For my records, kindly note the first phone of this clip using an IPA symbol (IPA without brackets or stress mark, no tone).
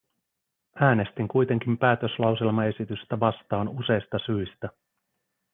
æː